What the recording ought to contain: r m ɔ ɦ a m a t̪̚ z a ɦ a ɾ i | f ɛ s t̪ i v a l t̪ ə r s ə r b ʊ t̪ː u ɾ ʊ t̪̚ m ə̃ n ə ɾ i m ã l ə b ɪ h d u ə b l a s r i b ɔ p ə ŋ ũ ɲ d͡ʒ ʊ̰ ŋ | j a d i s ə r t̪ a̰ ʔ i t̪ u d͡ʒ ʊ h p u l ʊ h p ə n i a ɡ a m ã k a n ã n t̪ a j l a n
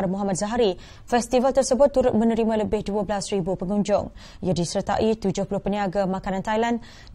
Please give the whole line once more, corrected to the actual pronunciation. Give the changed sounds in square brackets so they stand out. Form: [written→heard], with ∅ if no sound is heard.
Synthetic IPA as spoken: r m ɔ ɦ a m a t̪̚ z a ɦ a ɾ i | f ɛ s t̪ i v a l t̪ ə r s ə [r→∅] b ʊ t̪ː u ɾ ʊ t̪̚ m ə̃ n ə ɾ i m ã l ə b ɪ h d u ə b l a s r i b [ɔ→u] p ə ŋ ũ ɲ d͡ʒ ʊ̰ ŋ | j a d i s ə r t̪ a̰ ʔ i t̪ u d͡ʒ ʊ h p u l ʊ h p ə n i a ɡ a m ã k a n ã n t̪ a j l a n